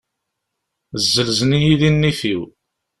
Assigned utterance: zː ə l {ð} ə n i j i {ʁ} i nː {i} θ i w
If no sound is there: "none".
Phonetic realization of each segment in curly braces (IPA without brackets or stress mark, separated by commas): z, ð, i